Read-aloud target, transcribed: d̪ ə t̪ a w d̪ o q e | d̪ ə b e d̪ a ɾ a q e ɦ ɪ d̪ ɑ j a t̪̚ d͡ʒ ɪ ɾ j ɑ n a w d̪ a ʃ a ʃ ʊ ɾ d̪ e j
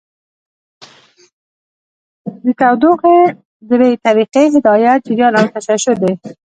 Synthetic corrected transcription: d̪ ə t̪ a w d̪ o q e | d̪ ə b e t̪ a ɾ i q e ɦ ɪ d̪ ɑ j a t̪̚ d͡ʒ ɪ ɾ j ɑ n a w t̪ a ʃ a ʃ ʊ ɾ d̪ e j